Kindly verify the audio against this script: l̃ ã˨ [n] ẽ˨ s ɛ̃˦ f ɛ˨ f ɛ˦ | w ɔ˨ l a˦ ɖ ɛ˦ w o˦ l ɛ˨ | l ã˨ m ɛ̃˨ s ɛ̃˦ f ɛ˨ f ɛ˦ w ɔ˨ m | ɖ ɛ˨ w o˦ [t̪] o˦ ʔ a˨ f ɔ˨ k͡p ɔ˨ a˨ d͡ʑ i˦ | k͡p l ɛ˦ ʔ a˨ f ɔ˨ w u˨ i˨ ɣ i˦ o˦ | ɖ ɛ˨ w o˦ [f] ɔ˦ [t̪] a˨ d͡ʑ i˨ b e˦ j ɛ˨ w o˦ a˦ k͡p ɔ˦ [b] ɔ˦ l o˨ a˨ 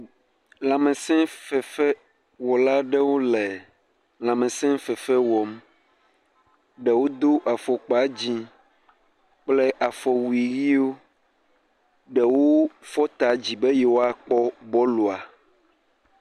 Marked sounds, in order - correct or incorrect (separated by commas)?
incorrect, incorrect, correct, correct, correct